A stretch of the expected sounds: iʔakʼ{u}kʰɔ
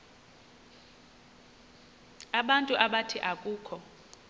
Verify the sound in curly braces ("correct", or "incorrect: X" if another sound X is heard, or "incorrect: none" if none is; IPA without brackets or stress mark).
incorrect: uː